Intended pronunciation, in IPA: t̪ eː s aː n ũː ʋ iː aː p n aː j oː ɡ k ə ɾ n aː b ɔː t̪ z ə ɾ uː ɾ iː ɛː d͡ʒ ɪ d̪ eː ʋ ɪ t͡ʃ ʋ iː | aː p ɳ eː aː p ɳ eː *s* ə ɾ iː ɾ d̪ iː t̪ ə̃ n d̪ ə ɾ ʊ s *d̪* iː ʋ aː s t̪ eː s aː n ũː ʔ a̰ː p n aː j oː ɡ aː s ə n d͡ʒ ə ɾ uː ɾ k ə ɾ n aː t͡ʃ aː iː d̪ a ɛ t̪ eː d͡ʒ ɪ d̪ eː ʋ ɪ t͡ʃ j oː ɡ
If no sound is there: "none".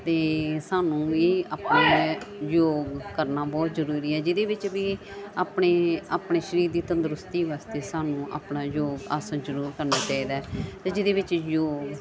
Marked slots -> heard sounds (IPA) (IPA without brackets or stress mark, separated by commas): ʃ, t̪